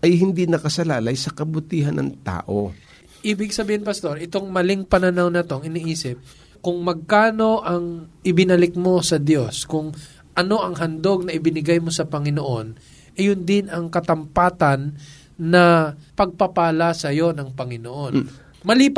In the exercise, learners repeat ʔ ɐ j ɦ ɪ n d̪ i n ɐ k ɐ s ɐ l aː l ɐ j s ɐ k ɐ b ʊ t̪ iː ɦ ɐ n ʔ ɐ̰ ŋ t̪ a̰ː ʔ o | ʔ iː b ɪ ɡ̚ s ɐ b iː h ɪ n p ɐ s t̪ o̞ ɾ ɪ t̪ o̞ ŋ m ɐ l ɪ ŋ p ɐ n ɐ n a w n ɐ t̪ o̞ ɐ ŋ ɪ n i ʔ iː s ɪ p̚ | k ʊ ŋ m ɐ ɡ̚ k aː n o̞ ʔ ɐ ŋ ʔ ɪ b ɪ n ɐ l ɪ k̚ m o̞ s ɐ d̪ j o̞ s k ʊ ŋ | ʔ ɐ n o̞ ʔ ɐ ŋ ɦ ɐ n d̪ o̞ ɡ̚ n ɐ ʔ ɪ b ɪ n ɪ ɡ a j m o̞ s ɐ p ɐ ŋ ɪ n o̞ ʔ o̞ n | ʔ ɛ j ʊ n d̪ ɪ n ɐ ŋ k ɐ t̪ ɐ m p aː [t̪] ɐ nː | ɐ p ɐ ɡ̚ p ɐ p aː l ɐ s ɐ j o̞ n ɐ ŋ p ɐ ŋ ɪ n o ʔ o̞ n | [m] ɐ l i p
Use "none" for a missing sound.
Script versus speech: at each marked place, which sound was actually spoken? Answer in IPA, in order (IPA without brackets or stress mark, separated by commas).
t̪, m